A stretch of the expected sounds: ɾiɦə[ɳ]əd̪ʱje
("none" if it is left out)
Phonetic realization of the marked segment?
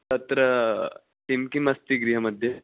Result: m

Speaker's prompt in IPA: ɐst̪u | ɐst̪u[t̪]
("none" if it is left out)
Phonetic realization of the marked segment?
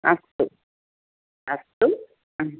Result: none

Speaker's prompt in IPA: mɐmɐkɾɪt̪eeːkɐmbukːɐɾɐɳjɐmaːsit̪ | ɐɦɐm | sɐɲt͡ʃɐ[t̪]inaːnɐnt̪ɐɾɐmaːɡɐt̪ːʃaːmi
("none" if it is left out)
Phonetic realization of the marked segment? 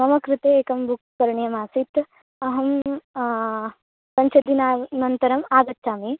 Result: d̪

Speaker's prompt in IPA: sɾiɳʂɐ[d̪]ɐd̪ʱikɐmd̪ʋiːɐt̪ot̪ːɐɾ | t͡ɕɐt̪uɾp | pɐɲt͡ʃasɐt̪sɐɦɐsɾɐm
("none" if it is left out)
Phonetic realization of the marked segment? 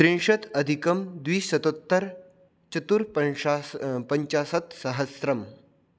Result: t̪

